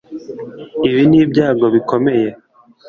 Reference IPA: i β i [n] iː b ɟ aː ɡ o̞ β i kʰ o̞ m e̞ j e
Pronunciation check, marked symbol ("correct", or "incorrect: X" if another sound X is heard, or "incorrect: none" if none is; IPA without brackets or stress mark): correct